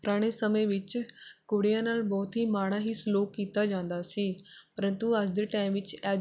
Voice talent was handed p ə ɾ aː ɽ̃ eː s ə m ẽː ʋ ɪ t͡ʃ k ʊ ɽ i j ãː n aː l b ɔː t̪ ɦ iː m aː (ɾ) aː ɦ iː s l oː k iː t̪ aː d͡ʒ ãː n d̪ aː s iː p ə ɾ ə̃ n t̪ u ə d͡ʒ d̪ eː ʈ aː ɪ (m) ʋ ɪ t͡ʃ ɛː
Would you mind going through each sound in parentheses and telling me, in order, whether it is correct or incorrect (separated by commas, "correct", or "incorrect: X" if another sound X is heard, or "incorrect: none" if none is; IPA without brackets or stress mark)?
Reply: incorrect: ɽ, correct